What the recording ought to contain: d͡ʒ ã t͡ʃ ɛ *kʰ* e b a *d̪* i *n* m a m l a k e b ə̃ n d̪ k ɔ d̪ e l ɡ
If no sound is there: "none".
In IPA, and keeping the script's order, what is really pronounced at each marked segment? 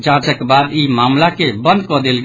k, d̪, none

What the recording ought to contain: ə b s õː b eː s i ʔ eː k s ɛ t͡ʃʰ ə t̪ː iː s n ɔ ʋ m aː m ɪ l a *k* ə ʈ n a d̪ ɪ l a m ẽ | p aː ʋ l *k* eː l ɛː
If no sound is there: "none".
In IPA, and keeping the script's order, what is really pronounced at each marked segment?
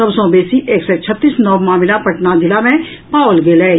p, ɡ

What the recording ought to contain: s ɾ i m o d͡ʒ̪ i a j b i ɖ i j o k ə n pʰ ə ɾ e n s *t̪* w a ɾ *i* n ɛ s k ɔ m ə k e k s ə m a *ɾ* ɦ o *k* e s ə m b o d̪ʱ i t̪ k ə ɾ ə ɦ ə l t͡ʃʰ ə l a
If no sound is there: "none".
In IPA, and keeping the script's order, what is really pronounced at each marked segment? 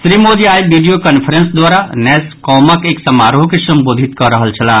d̪, a, ɾ, k

